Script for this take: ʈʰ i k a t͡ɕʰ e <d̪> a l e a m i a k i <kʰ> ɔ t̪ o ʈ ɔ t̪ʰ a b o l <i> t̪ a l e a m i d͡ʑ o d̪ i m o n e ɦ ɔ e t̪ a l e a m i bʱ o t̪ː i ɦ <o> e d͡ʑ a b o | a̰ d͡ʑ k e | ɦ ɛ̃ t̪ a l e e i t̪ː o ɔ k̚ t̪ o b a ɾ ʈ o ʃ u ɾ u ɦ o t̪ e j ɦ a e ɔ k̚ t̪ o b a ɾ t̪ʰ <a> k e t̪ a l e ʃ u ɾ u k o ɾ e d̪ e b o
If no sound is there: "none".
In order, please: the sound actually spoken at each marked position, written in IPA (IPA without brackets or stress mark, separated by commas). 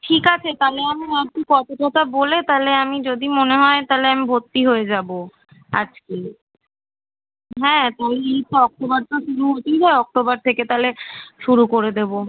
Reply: t̪, k, e, o, e